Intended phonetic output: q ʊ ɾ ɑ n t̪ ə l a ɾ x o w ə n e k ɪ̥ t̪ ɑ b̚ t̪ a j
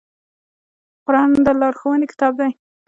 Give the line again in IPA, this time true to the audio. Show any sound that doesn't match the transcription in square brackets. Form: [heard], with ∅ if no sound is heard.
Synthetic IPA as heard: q ʊ ɾ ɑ n [d̪] ə l [ɑ] ɾ x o w ə n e k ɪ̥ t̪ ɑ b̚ [d̪] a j